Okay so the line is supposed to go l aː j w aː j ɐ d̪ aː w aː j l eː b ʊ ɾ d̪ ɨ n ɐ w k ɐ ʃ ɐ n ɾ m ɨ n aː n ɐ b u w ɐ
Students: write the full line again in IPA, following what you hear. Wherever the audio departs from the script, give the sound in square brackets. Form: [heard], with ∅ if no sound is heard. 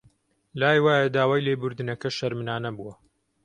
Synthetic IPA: l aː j w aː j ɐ d̪ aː w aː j l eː b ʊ ɾ d̪ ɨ n ɐ [∅] k ɐ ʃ ɐ [∅] ɾ m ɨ n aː n ɐ b u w ɐ